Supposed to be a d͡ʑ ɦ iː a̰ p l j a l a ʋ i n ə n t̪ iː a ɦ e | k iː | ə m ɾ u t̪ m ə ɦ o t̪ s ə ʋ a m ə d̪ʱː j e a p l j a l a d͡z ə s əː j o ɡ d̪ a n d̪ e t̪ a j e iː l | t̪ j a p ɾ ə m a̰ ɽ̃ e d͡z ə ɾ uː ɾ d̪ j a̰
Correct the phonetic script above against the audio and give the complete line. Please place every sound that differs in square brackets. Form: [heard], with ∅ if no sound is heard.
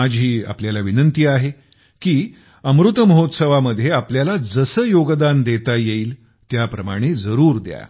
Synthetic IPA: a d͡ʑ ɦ iː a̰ p l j a l a ʋ i n ə n t̪ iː a ɦ e | k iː | ə m ɾ u t̪ m ə ɦ o t̪ s ə ʋ a m ə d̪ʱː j e a p l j a l a d͡z ə s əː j o ɡ d̪ a n d̪ e t̪ a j e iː l | t̪ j a p ɾ ə m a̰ ɽ̃ e d͡z ə ɾ uː ɾ d̪ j a̰